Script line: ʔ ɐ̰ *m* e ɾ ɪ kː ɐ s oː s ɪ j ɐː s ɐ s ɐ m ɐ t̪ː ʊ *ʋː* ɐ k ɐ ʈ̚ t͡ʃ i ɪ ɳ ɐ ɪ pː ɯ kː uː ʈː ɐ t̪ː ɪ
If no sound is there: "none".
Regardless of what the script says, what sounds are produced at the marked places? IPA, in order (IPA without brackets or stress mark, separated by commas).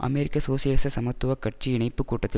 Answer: m, ʋ